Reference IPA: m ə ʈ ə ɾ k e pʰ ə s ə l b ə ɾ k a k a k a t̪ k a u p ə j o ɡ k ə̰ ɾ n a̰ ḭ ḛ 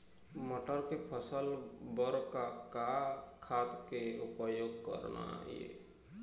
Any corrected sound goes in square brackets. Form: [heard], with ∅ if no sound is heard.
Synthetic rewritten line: m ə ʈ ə ɾ k e pʰ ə s ə l b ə ɾ k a k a [kʰ] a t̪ k [e] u p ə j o ɡ k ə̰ ɾ n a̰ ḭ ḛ